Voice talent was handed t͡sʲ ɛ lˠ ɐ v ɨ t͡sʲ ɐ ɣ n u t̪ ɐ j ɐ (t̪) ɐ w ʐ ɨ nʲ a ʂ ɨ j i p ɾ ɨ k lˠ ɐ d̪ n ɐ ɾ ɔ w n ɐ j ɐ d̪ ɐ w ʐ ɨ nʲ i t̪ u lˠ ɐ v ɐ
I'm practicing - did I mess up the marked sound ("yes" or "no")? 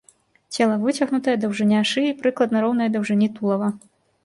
yes